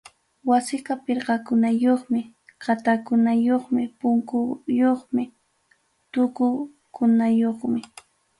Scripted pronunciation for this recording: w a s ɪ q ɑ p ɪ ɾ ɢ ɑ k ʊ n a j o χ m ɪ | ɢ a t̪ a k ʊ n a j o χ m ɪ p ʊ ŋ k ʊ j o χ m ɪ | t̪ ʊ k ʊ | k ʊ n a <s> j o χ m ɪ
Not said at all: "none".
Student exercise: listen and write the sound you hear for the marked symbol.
none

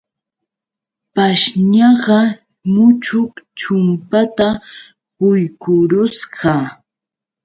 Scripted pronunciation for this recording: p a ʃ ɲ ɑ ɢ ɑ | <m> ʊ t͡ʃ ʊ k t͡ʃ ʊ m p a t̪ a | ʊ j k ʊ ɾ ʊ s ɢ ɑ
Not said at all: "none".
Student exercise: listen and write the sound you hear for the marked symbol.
m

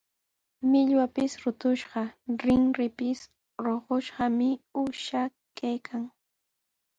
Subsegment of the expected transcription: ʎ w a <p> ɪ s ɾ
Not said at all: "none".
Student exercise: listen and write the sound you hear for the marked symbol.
p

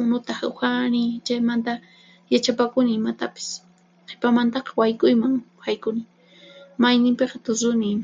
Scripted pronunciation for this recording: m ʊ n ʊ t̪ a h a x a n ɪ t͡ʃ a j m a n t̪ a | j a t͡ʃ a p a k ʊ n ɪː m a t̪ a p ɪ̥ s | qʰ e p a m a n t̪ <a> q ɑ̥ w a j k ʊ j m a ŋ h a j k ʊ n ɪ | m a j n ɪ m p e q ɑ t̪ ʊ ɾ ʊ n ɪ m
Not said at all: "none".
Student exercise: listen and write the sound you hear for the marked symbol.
ɑ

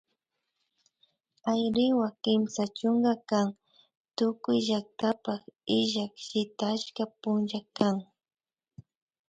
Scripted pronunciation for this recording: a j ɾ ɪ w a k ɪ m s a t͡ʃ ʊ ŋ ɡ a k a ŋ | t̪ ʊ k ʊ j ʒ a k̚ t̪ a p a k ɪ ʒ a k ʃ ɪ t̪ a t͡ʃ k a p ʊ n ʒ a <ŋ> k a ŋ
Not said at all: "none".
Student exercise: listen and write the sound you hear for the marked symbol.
none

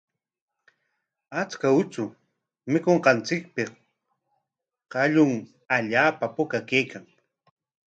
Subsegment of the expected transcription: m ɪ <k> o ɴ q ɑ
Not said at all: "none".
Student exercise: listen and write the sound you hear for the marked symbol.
k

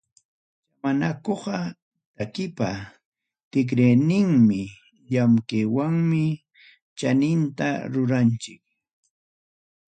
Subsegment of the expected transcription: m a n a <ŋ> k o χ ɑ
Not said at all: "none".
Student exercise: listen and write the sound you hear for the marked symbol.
none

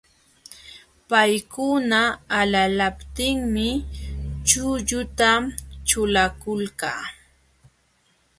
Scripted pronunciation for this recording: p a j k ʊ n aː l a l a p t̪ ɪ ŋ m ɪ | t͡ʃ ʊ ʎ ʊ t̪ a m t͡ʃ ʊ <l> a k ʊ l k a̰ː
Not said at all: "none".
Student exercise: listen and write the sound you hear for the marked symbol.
l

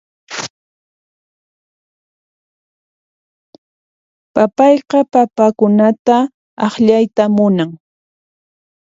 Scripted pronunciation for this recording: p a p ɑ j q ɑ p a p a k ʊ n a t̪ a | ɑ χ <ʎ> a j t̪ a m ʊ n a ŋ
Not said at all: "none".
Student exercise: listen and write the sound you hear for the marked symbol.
ʎ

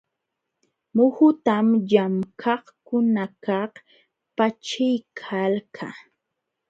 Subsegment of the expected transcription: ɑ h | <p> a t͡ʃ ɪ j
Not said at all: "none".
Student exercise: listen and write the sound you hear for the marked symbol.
p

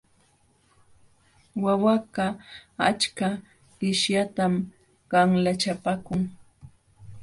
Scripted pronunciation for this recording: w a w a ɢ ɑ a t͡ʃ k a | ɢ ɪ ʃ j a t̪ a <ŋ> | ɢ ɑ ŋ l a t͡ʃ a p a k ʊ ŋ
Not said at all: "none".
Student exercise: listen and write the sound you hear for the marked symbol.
m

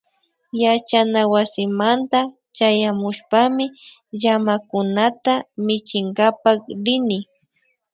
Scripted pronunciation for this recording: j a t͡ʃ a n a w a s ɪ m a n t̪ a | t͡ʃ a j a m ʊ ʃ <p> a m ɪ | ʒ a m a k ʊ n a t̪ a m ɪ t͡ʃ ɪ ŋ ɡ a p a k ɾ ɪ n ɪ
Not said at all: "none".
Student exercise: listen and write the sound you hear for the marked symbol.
p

